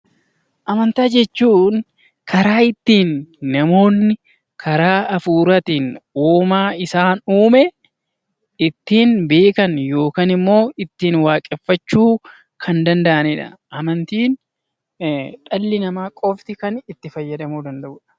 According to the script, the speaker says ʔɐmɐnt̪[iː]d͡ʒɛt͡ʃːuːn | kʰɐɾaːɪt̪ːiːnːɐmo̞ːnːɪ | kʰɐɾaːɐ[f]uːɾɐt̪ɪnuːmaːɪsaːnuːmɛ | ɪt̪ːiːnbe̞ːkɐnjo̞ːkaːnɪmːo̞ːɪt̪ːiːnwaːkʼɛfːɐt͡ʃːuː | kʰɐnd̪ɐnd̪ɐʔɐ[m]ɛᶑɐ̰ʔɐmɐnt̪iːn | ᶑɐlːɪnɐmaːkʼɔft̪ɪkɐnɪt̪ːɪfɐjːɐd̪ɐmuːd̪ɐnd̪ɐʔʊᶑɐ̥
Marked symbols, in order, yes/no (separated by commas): no, yes, no